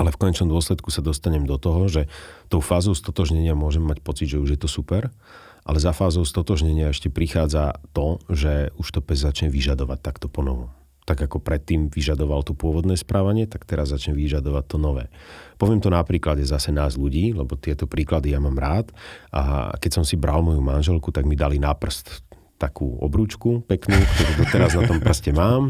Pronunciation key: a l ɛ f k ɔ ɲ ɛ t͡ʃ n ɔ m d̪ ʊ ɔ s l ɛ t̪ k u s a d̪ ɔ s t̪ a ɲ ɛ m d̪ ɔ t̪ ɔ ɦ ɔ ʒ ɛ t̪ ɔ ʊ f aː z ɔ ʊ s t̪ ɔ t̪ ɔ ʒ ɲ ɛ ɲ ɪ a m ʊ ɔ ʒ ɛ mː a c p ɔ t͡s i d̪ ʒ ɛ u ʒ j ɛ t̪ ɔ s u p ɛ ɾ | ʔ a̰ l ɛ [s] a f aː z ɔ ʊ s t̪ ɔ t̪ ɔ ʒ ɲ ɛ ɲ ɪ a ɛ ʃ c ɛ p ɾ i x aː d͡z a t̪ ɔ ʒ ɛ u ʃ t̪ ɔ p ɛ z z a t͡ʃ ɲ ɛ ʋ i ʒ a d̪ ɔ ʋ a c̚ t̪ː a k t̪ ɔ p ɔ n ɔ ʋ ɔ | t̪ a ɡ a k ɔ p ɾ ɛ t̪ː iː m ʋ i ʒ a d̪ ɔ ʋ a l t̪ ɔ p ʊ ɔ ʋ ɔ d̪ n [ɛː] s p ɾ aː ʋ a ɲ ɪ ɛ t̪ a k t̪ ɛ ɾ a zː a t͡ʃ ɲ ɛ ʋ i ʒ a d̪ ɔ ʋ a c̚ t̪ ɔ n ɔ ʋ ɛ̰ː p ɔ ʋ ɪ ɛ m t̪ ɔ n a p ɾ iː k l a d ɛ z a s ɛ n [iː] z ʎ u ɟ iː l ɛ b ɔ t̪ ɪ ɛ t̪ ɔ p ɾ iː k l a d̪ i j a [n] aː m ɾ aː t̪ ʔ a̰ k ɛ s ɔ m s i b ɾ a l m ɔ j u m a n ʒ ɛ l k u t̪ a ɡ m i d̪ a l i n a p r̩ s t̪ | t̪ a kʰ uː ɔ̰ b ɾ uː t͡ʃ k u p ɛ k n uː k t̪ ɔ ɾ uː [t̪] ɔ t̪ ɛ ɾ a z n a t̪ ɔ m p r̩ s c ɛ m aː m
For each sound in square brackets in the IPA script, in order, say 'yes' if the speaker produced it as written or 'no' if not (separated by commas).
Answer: no, yes, no, no, no